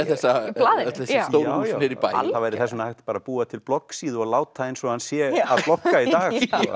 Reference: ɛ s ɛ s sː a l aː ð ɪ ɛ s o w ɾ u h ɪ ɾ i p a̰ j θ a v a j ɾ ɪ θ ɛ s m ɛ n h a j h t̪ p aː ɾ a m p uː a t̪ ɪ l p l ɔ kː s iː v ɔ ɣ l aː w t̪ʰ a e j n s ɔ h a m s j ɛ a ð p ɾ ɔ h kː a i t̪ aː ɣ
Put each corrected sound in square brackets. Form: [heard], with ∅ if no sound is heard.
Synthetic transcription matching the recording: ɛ [θ] ɛ s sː a l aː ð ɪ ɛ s o w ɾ u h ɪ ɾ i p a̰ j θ a v a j ɾ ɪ θ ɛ s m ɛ n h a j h t̪ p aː ɾ a [∅] p uː a [t̪ʰ] ɪ l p l ɔ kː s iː [ð] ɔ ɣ l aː w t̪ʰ a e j n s ɔ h a [n] s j ɛ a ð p [l] ɔ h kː a i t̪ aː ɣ

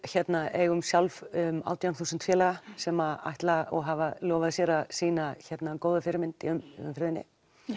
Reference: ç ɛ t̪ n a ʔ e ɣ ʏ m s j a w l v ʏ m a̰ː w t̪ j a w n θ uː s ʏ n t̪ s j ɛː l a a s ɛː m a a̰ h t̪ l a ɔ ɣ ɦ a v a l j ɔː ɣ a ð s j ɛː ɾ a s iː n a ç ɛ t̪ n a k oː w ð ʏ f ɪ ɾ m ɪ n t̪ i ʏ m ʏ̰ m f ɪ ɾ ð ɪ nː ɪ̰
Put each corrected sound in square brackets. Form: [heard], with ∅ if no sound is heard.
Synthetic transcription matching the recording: ç ɛ t̪ n a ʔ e ɣ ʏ m s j a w l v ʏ m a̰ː w t̪ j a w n θ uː s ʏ n t̪ [f] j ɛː l a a s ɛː m a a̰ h t̪ l a ɔ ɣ ɦ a v a l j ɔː [v] a ð s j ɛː ɾ a s iː n a ç ɛ t̪ n a k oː w ð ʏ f ɪ ɾ m ɪ n t̪ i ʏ m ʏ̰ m f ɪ ɾ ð ɪ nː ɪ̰

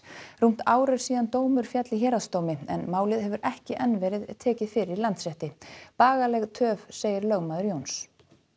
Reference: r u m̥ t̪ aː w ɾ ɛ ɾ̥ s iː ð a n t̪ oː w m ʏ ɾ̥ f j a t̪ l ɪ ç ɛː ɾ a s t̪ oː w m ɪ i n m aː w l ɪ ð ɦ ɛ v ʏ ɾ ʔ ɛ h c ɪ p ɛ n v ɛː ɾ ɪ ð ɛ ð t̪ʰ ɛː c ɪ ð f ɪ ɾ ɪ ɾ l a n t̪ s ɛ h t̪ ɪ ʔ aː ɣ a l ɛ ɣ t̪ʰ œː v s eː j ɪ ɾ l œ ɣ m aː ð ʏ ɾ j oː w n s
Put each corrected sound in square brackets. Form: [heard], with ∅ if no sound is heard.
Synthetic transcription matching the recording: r u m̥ t̪ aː w ɾ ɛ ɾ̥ s iː ð a n t̪ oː w m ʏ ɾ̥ f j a t̪ l ɪ ç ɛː ɾ a s t̪ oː w m ɪ [ɛ] n m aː w l ɪ ð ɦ ɛ v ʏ ɾ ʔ ɛ h c ɪ [ʔ] ɛ n v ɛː ɾ ɪ ð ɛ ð t̪ʰ ɛː c ɪ ð f ɪ ɾ ɪ ɾ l a n t̪ s ɛ h t̪ ɪ [p] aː ɣ a l ɛ ɣ t̪ʰ œː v s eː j ɪ ɾ l œ ɣ m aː ð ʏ ɾ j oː w n s

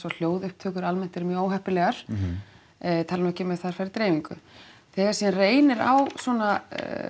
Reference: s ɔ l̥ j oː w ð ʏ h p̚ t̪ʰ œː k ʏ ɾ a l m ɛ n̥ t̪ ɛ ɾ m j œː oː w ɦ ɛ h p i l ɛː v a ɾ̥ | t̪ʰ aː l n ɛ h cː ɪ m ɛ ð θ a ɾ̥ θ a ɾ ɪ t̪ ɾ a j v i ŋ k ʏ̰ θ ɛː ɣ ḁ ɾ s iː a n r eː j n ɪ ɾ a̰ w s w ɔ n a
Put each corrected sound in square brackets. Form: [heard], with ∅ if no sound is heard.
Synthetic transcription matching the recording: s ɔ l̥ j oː w ð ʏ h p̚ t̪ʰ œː k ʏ ɾ a l m ɛ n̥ t̪ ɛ ɾ m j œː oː w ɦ ɛ h p [ɪ] l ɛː [ɣ] a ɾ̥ | t̪ʰ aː l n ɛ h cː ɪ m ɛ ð θ a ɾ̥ [f] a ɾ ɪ t̪ ɾ [e] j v i ŋ k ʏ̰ θ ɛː ɣ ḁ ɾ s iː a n r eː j n ɪ ɾ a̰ w s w ɔ n a

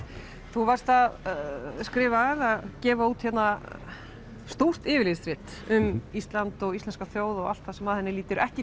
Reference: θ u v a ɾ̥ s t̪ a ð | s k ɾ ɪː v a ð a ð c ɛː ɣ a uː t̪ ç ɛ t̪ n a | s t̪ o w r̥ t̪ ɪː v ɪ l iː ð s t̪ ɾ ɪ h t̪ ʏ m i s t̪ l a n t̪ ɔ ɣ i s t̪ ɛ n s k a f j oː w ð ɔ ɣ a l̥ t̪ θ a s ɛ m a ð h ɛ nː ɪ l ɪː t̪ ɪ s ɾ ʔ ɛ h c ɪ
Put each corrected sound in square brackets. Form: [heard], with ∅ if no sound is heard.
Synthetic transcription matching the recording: θ u v a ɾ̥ s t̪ a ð | s k ɾ ɪː v a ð a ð c ɛː [v] a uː t̪ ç ɛ t̪ n a | s t̪ o w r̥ t̪ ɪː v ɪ l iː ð s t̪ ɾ ɪ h t̪ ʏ m i s t̪ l a n t̪ ɔ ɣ i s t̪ ɛ n s k a [θ] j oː w ð ɔ ɣ a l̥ t̪ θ a s ɛ m a ð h ɛ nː ɪ l [iː] t̪ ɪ [∅] ɾ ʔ ɛ h c ɪ

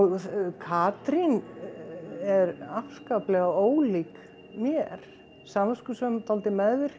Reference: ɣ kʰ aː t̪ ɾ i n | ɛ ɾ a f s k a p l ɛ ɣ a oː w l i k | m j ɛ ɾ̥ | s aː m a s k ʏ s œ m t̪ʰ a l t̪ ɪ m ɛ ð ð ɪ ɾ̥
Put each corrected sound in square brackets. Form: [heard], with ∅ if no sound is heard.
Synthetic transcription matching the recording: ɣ kʰ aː t̪ ɾ i n | ɛ ɾ a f s k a p l ɛ ɣ a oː w l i k | m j ɛ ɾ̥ | s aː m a s k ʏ s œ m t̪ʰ a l t̪ ɪ m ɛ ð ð ɪ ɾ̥

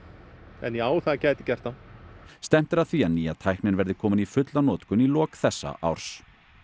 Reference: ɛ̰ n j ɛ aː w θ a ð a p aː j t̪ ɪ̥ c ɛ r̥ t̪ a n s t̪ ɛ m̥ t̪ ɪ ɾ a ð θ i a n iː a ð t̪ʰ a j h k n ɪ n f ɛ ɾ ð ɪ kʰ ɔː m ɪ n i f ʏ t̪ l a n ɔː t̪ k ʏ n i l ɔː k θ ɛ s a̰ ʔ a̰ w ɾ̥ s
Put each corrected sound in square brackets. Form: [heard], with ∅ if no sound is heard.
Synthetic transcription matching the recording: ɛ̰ n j ɛ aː w θ a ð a [c] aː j t̪ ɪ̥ c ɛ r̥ t̪ a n s t̪ ɛ m̥ t̪ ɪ ɾ a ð θ i a n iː a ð t̪ʰ a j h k n ɪ n [v] ɛ ɾ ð ɪ kʰ ɔː m ɪ n i f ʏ t̪ l a n ɔː t̪ k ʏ n i l ɔː k θ ɛ [sː] a̰ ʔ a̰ w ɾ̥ s

